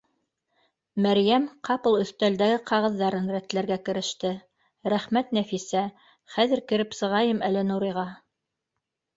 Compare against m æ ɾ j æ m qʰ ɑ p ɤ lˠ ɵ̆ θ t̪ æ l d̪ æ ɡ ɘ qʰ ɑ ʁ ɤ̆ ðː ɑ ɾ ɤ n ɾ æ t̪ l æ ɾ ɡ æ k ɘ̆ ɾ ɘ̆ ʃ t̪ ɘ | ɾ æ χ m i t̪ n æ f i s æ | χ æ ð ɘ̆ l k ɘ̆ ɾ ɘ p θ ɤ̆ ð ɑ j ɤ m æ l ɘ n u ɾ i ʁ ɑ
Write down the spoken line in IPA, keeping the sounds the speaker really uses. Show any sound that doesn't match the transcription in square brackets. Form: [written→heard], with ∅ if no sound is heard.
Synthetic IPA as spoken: m æ ɾ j æ m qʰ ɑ p ɤ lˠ ɵ̆ θ t̪ æ l d̪ æ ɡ ɘ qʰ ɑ ʁ ɤ̆ ðː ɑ ɾ ɤ n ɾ æ t̪ l æ ɾ ɡ æ k ɘ̆ ɾ ɘ̆ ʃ t̪ ɘ | ɾ æ χ m [i→æ] t̪ n æ f i s æ | χ æ ð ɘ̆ [l→ɾ] k ɘ̆ ɾ ɘ p [θ→s] ɤ̆ [ð→ʁ] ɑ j ɤ m æ l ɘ n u ɾ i ʁ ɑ

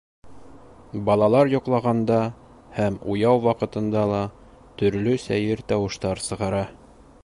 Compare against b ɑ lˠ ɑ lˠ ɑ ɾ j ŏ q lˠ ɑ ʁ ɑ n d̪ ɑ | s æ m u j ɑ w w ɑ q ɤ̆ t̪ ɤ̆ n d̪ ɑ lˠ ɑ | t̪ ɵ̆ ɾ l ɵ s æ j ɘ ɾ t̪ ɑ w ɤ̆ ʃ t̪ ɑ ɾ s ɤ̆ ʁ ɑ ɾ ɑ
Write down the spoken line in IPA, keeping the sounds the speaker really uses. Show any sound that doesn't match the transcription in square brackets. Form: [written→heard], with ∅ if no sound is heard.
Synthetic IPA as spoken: b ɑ lˠ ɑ lˠ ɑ ɾ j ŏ q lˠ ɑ ʁ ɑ n d̪ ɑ | [s→h] æ m u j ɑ w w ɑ q ɤ̆ t̪ ɤ̆ n d̪ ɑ lˠ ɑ | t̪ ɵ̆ ɾ l ɵ s æ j ɘ ɾ t̪ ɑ w ɤ̆ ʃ t̪ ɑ ɾ s ɤ̆ ʁ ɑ ɾ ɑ

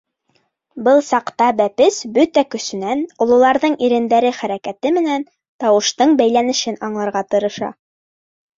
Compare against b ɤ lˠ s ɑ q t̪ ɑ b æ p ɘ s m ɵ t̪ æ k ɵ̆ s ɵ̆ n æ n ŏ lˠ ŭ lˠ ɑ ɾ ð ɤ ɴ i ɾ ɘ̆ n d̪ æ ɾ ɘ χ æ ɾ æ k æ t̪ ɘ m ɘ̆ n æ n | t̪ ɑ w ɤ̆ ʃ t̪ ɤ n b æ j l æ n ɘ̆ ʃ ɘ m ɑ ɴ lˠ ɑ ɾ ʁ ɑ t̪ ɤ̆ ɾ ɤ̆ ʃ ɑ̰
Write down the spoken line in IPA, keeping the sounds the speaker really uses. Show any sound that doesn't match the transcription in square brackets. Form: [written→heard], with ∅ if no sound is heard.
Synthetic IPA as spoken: b ɤ lˠ s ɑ q t̪ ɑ b æ p ɘ s [m→b] ɵ t̪ æ k ɵ̆ s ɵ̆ n æ n ŏ lˠ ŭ lˠ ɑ ɾ ð ɤ ɴ i ɾ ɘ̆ n d̪ æ ɾ ɘ χ æ ɾ æ k æ t̪ ɘ m ɘ̆ n æ n | t̪ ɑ w ɤ̆ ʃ t̪ ɤ [n→ɴ] b æ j l æ n ɘ̆ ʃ ɘ [m→n] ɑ ɴ lˠ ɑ ɾ ʁ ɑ t̪ ɤ̆ ɾ ɤ̆ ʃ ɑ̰

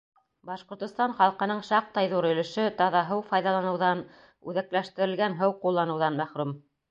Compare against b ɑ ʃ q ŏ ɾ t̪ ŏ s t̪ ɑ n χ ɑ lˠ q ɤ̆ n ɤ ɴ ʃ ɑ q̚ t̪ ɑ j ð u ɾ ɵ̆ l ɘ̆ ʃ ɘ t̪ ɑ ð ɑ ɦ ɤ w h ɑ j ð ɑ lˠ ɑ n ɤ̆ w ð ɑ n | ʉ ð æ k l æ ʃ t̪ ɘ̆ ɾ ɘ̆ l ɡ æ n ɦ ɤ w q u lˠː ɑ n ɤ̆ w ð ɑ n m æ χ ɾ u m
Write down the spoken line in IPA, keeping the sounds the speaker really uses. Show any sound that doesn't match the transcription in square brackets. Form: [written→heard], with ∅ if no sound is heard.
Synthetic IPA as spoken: b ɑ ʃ q ŏ ɾ t̪ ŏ s t̪ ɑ n χ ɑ lˠ q ɤ̆ n ɤ ɴ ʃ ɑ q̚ t̪ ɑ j ð u ɾ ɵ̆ l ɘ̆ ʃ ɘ t̪ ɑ ð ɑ ɦ ɤ w [h→f] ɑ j ð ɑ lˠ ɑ n ɤ̆ w ð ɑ n | ʉ ð æ k l æ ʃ t̪ ɘ̆ ɾ ɘ̆ l ɡ æ n ɦ ɤ w q u lˠː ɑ n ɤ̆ w ð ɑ n m æ χ ɾ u m

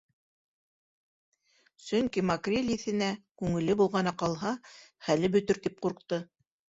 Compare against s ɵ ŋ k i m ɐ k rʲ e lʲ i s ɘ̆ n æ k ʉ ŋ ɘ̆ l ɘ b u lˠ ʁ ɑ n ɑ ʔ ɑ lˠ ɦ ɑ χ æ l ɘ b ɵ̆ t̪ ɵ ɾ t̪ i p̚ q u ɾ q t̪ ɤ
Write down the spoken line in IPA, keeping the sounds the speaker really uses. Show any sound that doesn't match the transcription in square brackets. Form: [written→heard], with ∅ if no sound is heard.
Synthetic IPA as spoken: s ɵ ŋ k i m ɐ k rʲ e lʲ i [s→θ] ɘ̆ n æ k ʉ ŋ ɘ̆ l ɘ b u lˠ ʁ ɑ n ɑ [ʔ→q] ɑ lˠ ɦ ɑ χ æ l ɘ b ɵ̆ t̪ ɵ ɾ t̪ i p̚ q u ɾ q t̪ ɤ

